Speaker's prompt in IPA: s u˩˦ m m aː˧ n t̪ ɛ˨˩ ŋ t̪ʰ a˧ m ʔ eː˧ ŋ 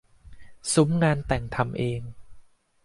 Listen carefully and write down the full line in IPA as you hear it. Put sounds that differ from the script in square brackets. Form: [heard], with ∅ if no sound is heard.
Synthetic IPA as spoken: s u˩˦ m [ŋ] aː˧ n t̪ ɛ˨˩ ŋ t̪ʰ a˧ m ʔ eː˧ ŋ